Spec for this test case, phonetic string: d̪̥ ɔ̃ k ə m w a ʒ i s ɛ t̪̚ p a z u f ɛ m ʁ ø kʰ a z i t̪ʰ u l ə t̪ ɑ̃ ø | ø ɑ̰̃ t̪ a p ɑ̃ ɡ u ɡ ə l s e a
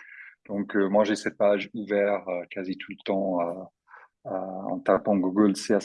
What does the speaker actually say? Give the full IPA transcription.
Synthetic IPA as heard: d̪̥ ɔ̃ k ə m w a ʒ e s ɛ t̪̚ p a ʒ u v ɛ ʁ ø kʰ a z i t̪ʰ u l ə t̪ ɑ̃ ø | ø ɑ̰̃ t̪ a p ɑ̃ ɡ u ɡ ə l s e a